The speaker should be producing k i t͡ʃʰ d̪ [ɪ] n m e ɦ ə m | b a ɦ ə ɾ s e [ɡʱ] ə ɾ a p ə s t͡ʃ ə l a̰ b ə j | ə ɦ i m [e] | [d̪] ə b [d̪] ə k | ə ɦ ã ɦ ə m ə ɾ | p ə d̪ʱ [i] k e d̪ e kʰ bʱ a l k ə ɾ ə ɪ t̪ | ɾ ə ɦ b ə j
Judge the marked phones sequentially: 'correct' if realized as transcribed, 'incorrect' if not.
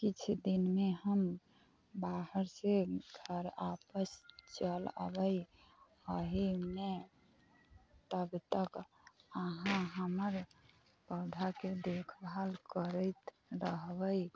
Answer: incorrect: i, correct, correct, incorrect: t̪, incorrect: t̪, incorrect: a

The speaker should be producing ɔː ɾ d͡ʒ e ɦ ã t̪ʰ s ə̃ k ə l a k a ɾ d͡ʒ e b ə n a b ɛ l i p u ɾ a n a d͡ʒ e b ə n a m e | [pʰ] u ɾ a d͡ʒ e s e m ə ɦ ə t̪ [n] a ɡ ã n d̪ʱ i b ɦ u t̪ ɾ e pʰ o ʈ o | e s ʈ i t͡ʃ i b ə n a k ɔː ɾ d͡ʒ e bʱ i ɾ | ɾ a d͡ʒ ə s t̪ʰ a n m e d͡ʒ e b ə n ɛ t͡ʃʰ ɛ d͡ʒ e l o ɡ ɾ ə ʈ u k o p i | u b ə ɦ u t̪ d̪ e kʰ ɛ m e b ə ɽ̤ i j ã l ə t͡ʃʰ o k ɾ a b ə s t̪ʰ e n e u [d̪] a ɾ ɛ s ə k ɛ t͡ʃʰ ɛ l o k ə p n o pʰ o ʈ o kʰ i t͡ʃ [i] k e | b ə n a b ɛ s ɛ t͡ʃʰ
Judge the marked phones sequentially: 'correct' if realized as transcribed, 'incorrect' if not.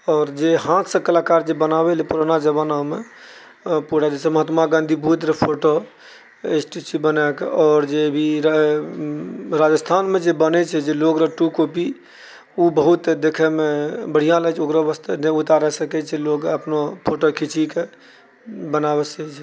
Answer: incorrect: p, incorrect: m, incorrect: t̪, correct

